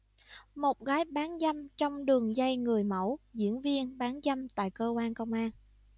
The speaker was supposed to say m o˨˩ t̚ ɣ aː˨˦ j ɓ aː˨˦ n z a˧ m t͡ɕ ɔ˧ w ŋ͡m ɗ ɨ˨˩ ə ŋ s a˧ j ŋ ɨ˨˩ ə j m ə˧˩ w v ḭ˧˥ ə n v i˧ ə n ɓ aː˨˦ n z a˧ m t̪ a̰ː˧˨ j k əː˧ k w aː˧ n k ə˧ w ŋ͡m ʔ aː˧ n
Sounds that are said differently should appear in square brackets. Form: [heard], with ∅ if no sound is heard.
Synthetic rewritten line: m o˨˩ t̚ ɣ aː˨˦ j ɓ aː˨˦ n z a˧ m t͡ɕ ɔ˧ w ŋ͡m ɗ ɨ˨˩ ə ŋ [z] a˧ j ŋ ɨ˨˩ ə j m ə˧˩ w [z] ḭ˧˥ ə n v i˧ ə n ɓ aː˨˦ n z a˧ m t̪ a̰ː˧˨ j k əː˧ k w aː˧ n k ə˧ w ŋ͡m ʔ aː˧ n